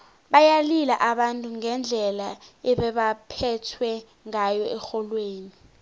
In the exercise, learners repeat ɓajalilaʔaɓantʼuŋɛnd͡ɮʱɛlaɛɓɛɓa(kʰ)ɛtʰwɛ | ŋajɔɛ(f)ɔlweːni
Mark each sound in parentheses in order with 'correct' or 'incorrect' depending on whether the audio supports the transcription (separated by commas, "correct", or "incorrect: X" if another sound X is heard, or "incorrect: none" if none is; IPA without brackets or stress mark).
incorrect: pʰ, incorrect: x